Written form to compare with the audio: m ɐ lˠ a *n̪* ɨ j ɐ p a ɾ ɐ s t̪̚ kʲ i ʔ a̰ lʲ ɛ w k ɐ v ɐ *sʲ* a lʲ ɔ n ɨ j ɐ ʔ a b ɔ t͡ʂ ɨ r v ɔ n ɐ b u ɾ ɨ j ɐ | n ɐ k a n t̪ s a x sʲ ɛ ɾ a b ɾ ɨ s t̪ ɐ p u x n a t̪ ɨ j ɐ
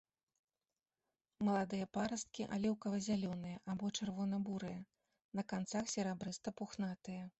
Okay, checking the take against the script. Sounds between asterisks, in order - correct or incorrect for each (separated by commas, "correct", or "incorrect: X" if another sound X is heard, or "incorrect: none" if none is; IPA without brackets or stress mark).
incorrect: d̪, incorrect: zʲ